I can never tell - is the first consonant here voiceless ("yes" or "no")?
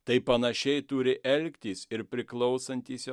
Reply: yes